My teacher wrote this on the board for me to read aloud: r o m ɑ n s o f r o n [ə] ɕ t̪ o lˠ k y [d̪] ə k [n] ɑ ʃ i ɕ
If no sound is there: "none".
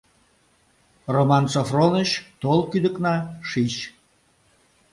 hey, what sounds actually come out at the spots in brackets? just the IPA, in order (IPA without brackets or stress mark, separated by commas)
ə, d̪, n